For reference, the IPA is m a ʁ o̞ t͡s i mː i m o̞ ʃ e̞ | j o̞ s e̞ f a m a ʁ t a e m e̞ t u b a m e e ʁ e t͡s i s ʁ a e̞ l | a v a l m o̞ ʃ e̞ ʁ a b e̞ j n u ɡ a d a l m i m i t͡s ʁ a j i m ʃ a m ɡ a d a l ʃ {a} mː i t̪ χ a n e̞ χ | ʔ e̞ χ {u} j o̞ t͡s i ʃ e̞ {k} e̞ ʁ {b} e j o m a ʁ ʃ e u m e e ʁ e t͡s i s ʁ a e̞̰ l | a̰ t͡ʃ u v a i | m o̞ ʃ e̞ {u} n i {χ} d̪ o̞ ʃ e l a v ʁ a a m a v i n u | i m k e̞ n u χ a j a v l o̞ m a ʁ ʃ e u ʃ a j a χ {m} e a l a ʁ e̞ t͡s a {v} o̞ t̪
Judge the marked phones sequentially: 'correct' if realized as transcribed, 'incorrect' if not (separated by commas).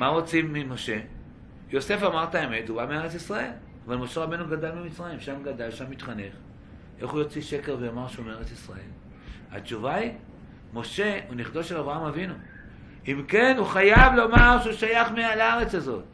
correct, correct, correct, incorrect, correct, correct, correct, incorrect